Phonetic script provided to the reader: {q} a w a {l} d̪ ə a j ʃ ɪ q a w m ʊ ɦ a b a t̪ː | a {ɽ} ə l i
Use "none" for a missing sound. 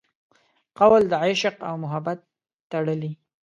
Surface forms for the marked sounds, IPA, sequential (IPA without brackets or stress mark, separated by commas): q, l, ɽ